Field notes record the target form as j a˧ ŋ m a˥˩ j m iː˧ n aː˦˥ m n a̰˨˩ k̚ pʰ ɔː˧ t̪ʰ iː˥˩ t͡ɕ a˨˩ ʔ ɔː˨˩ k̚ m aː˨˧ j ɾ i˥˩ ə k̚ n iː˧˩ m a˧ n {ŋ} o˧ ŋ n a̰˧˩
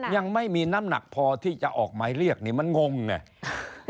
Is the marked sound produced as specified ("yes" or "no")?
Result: yes